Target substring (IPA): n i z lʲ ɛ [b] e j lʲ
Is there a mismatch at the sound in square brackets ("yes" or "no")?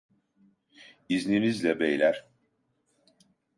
no